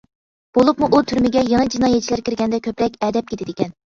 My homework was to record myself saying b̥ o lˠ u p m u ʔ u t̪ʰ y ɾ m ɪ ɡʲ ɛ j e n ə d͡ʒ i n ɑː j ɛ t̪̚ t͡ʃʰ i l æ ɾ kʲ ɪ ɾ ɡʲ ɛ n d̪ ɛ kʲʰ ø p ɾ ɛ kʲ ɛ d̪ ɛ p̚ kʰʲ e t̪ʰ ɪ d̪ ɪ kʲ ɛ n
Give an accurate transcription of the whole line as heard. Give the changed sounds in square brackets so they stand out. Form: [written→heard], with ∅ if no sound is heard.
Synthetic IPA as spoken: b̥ o lˠ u p m u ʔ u t̪ʰ y ɾ m ɪ ɡʲ ɛ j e [n→ŋ] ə d͡ʒ i n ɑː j ɛ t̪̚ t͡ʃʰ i l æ ɾ kʲ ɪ ɾ ɡʲ ɛ n d̪ ɛ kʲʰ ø p ɾ ɛ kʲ ɛ d̪ ɛ p̚ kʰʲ e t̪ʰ ɪ d̪ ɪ kʲ ɛ n